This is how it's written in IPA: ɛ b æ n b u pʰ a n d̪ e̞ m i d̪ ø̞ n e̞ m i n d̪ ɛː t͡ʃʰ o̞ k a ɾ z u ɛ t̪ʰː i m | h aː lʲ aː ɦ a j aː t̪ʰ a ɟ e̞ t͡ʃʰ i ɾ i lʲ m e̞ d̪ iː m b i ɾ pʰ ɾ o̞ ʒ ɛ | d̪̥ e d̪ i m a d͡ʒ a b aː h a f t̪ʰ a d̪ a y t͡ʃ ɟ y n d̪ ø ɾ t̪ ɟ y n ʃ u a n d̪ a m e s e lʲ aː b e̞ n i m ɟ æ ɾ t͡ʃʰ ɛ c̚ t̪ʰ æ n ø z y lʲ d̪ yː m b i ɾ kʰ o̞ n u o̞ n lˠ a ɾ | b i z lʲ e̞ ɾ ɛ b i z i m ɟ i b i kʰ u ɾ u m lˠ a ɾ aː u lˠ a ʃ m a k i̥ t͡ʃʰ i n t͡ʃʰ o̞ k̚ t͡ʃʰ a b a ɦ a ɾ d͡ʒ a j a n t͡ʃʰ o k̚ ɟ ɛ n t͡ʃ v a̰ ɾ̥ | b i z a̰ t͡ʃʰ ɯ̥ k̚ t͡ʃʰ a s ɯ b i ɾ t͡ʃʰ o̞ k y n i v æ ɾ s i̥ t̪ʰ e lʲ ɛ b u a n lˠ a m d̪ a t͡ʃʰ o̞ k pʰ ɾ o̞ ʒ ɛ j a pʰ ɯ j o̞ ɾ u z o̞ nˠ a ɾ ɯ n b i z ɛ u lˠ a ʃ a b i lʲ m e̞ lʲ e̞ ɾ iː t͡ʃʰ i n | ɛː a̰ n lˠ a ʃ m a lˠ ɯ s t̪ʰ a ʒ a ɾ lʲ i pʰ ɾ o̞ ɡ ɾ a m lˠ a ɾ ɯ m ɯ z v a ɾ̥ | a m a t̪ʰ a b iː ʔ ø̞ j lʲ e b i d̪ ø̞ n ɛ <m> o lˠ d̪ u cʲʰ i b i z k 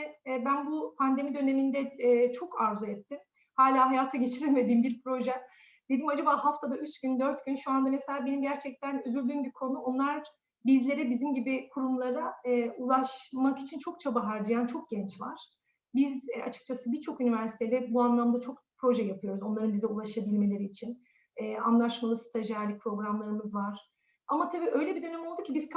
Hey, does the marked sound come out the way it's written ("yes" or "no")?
yes